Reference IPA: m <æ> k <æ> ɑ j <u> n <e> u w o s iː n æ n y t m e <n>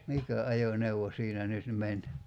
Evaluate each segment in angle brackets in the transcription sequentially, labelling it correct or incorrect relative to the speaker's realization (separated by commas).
incorrect, correct, incorrect, correct, correct